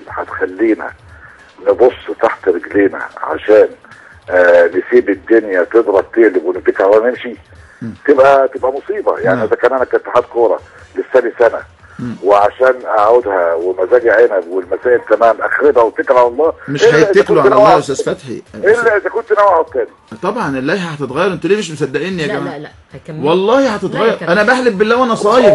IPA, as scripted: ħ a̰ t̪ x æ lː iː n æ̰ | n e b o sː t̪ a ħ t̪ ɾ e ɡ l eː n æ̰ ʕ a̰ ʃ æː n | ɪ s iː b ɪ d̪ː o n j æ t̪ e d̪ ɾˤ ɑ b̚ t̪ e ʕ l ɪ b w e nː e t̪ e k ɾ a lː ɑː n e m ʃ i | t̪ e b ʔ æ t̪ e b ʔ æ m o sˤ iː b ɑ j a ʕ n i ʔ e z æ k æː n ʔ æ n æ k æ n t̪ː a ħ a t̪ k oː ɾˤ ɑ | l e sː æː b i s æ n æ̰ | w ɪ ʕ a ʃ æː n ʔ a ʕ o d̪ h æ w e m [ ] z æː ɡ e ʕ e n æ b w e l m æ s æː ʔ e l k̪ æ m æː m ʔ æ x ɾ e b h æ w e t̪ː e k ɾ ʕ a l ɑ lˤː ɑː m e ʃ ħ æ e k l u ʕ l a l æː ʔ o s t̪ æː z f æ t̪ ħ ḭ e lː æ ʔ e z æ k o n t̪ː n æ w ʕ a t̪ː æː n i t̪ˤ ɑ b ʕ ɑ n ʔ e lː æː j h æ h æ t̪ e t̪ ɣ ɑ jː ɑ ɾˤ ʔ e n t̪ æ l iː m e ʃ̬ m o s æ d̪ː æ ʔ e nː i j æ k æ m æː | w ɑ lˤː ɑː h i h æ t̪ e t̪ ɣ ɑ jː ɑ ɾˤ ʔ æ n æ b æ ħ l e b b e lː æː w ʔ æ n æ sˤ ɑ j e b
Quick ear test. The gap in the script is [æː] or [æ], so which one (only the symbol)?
æ